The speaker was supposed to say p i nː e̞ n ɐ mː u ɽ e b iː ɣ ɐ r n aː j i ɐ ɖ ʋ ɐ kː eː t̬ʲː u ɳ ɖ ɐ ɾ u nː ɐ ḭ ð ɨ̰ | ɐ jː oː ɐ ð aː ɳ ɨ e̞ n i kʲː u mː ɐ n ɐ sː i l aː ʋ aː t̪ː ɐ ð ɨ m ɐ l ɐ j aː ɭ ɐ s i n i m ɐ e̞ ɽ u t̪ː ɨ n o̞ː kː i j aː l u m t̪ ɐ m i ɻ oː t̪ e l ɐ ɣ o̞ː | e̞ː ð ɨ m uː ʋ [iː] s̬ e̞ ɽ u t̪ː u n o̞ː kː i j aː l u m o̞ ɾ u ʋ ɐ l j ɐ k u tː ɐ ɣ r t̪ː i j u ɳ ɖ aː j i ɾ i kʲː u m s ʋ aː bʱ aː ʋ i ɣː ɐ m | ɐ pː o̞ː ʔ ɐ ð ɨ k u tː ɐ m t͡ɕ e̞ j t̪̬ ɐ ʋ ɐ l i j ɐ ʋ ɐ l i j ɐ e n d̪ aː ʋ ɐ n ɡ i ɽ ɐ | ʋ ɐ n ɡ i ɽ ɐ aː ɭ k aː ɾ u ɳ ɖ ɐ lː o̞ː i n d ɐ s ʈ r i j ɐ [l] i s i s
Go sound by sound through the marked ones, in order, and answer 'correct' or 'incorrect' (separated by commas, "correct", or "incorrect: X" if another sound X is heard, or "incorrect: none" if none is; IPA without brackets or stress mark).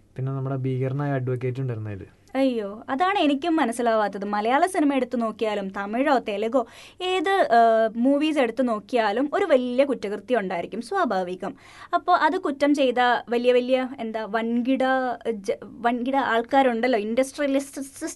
correct, correct